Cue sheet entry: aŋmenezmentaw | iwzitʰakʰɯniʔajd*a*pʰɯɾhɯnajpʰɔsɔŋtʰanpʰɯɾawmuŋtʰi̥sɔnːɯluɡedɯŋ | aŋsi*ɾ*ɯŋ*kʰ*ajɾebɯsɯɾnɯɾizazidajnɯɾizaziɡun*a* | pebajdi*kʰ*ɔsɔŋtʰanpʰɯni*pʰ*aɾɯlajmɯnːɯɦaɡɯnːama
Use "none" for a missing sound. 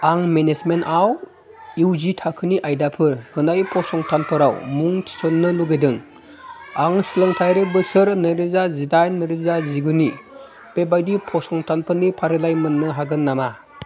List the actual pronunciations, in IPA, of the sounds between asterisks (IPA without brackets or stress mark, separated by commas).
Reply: a, l, tʰ, i, pʰ, pʰ